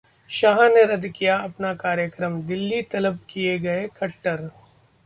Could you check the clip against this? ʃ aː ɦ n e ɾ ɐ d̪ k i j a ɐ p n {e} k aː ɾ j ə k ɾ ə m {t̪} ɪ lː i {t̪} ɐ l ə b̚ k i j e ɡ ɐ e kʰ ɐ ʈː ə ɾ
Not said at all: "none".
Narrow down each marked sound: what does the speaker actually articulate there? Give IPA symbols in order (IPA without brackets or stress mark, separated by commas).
a, d̪, t̪